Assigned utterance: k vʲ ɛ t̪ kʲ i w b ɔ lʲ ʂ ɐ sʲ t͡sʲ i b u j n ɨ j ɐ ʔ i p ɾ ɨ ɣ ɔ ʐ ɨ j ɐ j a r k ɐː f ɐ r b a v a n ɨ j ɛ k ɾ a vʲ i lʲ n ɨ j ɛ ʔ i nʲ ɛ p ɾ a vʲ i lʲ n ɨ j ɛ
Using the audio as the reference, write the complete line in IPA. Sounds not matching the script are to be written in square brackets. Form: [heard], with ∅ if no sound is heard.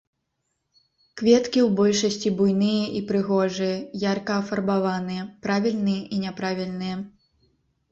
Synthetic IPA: k vʲ ɛ t̪ kʲ i w b ɔ lʲ ʂ ɐ sʲ t͡sʲ i b u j n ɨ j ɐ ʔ i p ɾ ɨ ɣ ɔ ʐ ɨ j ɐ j a r k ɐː f ɐ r b a v a n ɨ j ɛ [p] ɾ a vʲ i lʲ n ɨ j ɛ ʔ i nʲ ɛ p ɾ a vʲ i lʲ n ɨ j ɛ